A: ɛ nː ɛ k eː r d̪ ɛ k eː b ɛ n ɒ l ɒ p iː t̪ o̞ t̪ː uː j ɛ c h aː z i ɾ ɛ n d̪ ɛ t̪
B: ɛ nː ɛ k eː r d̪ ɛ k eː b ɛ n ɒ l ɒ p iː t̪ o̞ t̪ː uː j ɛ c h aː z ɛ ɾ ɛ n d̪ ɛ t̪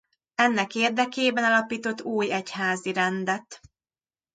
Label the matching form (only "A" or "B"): A